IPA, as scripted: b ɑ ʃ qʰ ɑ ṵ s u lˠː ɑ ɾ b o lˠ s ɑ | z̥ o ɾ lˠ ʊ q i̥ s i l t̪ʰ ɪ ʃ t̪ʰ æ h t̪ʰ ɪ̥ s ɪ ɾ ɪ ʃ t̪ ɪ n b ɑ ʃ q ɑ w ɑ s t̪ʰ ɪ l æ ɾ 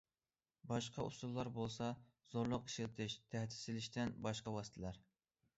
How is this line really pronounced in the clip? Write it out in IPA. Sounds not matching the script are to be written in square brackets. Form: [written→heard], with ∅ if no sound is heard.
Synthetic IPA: b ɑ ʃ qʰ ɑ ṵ s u lˠː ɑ ɾ b o lˠ s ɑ | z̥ o ɾ lˠ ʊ q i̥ [s→ʃ] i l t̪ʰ ɪ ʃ t̪ʰ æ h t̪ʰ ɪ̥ s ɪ [ɾ→l] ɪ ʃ t̪ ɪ n b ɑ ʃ q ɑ w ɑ s t̪ʰ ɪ l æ ɾ